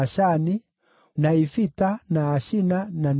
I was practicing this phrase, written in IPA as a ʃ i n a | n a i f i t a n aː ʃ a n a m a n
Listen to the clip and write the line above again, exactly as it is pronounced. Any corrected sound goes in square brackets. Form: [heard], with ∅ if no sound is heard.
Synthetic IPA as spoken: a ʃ [a] n [i] | n a i f i t a n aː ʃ [i] n a [n] a n